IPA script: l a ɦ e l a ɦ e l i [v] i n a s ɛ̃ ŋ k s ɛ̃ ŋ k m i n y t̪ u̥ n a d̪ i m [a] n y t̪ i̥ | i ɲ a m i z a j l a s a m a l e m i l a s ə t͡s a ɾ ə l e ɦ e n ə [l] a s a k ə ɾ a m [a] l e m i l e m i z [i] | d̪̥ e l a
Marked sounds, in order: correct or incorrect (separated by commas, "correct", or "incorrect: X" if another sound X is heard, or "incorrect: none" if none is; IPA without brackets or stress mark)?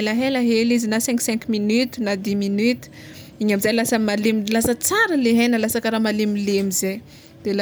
incorrect: z, incorrect: i, correct, correct, incorrect: e